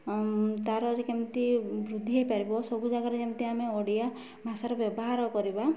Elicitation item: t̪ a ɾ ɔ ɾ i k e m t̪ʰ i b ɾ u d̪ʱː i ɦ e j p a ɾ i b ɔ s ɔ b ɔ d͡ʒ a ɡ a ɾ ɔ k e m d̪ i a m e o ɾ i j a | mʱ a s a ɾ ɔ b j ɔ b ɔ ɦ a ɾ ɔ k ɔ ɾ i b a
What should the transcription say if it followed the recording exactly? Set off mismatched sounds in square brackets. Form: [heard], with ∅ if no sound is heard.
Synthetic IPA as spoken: t̪ a ɾ ɔ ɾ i k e m [t̪] i b ɾ u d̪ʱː i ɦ e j p a ɾ i b ɔ s ɔ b [u] d͡ʒ a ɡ a ɾ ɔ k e m [t̪] i a m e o [ɽ] i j a | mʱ a s a ɾ ɔ b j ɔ b ɔ ɦ a ɾ ɔ k ɔ ɾ i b a